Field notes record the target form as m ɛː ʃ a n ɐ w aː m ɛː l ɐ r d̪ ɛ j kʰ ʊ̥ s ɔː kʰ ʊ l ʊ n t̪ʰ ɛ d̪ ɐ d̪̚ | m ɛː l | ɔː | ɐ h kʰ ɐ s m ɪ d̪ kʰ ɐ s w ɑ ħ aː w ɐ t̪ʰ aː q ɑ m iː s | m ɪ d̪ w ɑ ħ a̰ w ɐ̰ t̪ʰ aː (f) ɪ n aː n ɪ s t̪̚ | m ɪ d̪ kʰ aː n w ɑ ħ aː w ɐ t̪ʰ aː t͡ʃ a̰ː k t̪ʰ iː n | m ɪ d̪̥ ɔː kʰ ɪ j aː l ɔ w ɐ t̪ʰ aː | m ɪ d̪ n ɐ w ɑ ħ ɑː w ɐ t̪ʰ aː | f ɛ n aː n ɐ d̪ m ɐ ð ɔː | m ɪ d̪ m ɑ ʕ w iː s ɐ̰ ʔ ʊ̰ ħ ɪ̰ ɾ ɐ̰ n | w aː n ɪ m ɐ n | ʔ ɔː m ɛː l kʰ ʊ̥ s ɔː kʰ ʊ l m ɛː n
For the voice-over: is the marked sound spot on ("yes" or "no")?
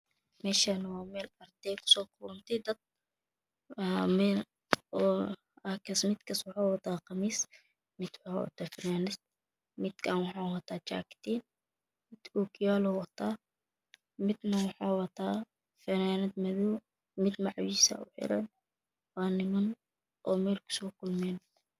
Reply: yes